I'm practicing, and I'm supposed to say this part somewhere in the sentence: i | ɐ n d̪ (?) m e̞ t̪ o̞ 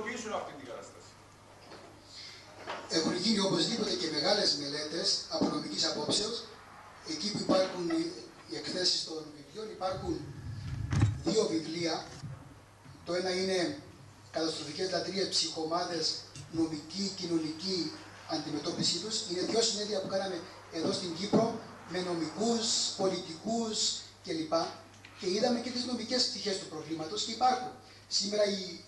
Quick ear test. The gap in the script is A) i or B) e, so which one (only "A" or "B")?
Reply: A